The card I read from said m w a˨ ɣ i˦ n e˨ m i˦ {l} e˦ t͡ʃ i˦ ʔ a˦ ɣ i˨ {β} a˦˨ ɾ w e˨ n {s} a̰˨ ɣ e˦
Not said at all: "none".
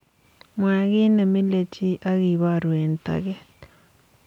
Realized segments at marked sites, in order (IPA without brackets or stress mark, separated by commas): l, β, t